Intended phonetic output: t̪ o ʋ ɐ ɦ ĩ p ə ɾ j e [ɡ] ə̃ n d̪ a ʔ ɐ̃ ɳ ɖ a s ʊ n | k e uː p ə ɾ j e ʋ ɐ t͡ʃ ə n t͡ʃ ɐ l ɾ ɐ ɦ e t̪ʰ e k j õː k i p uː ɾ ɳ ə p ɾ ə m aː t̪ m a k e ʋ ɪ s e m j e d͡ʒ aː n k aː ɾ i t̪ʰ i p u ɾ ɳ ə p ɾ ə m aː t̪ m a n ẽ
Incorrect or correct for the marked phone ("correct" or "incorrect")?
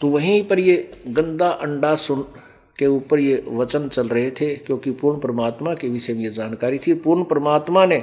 correct